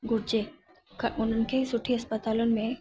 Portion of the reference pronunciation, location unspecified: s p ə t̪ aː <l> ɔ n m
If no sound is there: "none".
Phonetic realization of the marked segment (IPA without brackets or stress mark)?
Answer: l